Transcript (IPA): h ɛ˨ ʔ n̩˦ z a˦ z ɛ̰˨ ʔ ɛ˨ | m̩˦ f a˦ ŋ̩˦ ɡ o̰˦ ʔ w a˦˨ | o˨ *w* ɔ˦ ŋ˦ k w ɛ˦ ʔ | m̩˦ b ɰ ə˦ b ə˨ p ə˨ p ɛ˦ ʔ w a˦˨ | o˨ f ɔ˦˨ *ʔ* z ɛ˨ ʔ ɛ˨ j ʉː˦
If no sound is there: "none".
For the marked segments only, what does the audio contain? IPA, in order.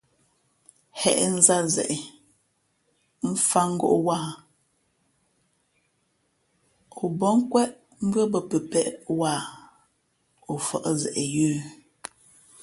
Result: b, ʔ

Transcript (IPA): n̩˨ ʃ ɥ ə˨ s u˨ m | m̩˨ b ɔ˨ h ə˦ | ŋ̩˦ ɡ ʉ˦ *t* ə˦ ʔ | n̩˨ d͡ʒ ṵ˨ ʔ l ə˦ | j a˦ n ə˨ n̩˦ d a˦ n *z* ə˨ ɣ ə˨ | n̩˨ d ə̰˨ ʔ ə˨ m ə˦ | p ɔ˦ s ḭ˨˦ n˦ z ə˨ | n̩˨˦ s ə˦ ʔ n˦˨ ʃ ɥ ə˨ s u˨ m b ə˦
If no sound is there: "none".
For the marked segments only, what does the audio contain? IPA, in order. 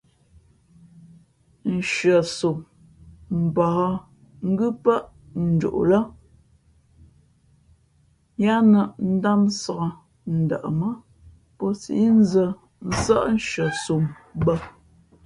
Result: p, s

